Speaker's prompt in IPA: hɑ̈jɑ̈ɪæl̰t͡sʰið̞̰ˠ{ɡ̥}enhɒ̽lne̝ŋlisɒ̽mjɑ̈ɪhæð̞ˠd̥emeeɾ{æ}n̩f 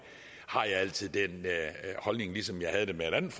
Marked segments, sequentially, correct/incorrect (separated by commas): incorrect, correct